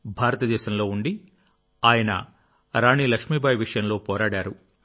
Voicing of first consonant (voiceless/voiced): voiced